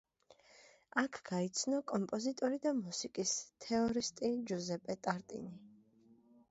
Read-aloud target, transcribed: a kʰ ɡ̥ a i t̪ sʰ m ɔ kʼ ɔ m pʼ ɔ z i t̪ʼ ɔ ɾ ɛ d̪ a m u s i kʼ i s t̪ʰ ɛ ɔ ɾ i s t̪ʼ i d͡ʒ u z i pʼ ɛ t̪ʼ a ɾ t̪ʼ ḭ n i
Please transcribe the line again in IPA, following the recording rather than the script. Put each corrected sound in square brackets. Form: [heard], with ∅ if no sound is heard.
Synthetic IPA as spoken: a kʰ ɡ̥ a i t̪ sʰ [n] ɔ kʼ ɔ m pʼ ɔ z i t̪ʼ ɔ ɾ [i] d̪ a m u s i kʼ i s t̪ʰ ɛ ɔ ɾ i s t̪ʼ i d͡ʒ u z [ɛ] pʼ ɛ t̪ʼ a ɾ t̪ʼ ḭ n i